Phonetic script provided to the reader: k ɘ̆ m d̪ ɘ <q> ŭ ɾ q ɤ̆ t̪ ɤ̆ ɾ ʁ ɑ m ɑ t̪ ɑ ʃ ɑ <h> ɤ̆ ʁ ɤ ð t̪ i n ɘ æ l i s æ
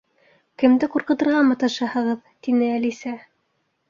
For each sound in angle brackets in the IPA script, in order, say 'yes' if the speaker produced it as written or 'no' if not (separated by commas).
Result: yes, yes